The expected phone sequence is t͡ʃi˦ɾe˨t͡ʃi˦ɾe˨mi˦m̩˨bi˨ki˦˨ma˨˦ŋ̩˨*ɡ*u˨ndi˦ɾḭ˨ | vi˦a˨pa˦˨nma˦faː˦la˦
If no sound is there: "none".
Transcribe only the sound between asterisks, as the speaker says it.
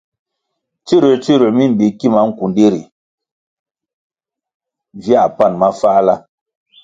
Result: k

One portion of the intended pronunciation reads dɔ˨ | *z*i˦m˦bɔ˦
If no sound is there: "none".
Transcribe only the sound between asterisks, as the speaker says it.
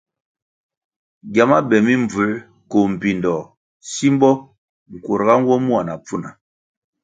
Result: s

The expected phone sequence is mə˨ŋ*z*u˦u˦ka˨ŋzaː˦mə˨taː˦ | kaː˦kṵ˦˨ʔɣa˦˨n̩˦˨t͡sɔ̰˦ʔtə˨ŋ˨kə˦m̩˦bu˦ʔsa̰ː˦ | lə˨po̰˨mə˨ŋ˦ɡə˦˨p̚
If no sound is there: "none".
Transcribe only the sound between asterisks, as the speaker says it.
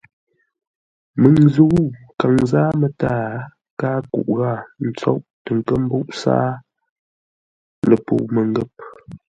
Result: z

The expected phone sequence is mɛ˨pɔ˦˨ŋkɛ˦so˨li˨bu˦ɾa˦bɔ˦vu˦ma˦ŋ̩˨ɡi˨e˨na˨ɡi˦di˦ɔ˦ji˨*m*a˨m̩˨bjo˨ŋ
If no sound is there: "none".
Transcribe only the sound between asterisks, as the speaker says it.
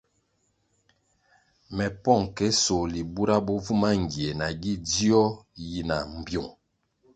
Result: n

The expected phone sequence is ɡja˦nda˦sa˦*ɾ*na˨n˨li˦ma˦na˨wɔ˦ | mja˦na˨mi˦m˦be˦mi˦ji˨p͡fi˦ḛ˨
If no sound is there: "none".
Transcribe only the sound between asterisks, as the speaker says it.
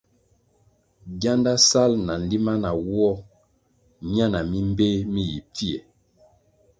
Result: l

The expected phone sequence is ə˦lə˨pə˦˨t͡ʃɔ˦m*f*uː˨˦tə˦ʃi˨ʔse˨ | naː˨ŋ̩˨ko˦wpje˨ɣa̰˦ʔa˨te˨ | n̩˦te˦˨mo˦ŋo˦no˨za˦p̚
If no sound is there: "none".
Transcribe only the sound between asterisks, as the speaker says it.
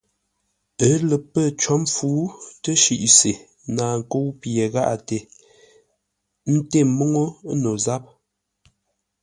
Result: f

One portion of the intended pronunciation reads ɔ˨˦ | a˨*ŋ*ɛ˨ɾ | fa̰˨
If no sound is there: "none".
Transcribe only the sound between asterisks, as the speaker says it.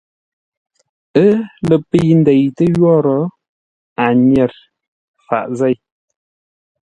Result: ɲ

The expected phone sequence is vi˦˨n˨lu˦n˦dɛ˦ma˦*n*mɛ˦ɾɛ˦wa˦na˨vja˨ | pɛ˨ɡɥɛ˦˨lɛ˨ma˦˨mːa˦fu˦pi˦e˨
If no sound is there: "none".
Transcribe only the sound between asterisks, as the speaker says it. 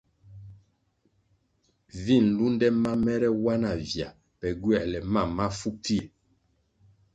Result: none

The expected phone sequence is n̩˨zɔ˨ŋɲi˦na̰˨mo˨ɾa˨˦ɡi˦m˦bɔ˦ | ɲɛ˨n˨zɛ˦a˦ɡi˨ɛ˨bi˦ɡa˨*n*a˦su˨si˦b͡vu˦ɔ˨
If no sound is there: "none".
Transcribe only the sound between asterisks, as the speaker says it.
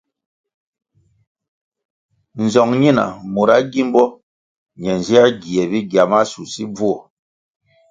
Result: m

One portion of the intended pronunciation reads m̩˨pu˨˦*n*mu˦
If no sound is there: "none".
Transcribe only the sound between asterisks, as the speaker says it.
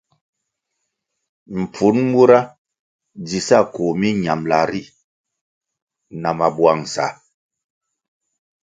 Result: n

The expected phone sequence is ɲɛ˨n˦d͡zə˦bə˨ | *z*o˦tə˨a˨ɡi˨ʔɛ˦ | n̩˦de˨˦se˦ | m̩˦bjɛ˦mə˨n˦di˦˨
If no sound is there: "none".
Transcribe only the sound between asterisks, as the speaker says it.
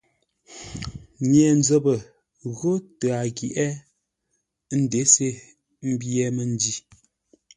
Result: ɣ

